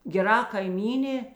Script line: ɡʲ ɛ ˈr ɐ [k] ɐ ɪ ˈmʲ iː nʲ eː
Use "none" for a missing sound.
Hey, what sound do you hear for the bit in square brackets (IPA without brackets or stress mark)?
k